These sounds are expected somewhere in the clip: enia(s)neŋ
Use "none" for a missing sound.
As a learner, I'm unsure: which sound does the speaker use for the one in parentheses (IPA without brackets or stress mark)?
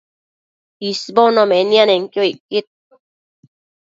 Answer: none